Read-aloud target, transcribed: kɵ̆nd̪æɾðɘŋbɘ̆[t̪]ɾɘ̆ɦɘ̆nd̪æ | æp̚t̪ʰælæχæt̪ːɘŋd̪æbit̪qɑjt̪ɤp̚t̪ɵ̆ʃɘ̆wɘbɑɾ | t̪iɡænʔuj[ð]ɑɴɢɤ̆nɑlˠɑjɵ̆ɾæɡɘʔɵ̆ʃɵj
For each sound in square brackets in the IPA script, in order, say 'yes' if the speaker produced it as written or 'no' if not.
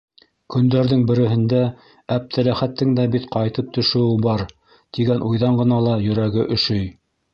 no, yes

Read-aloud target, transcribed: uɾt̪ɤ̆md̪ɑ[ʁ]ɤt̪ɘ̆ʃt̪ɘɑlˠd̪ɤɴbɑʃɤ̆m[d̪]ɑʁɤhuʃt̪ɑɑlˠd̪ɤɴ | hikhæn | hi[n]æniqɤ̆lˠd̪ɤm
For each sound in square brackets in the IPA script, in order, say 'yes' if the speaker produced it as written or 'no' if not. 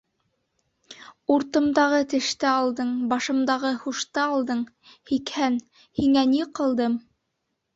yes, yes, no

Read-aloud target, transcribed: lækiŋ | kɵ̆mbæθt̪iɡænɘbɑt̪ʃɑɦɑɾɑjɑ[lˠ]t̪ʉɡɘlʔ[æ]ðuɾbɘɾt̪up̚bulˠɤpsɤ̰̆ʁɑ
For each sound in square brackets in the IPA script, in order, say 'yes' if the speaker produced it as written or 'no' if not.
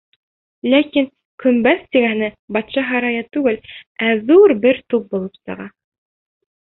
no, yes

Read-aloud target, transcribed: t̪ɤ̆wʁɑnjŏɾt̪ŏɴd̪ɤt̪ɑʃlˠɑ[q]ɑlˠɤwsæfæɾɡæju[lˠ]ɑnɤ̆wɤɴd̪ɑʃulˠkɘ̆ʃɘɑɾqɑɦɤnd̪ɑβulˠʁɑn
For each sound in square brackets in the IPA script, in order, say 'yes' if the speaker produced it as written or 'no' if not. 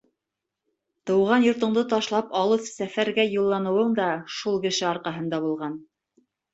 no, no

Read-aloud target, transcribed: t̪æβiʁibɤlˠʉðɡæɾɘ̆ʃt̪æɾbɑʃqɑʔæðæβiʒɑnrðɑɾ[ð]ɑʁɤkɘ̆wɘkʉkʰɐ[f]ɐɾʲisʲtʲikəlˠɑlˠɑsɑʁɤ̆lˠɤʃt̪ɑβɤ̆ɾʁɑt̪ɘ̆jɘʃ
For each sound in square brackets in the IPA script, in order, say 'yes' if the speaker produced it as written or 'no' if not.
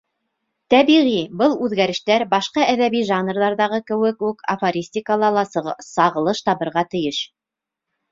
yes, yes

